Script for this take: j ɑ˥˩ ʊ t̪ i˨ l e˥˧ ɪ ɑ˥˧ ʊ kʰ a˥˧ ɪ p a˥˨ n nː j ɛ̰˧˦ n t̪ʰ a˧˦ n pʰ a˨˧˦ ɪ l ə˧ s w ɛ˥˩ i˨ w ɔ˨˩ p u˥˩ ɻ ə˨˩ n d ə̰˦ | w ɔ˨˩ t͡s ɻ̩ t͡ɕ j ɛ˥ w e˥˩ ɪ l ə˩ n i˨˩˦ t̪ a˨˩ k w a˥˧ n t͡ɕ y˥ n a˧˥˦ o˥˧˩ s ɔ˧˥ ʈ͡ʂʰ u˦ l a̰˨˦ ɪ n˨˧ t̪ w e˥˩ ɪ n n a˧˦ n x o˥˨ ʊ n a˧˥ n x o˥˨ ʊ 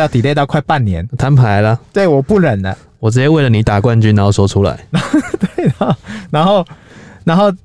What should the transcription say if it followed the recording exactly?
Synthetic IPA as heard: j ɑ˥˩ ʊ t̪ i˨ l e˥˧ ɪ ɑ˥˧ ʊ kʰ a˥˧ ɪ p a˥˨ n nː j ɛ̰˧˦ n t̪ʰ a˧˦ n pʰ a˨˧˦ ɪ l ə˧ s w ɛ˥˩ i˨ w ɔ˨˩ p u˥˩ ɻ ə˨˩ n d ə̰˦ | w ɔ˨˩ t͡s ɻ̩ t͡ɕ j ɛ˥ w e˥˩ ɪ l ə˩ n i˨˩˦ t̪ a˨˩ k w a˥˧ n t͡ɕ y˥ n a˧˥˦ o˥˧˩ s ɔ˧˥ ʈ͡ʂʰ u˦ l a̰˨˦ ɪ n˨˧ t̪ w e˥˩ ɪ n n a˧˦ n x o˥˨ ʊ n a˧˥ n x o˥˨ ʊ